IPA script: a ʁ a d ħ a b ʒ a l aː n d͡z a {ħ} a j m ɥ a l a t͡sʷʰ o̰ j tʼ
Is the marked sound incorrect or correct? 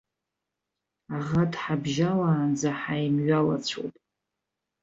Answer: correct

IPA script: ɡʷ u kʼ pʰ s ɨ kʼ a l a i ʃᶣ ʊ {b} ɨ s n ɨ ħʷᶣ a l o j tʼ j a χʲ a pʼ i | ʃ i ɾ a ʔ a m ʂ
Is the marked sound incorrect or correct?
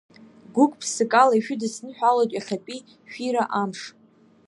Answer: incorrect: d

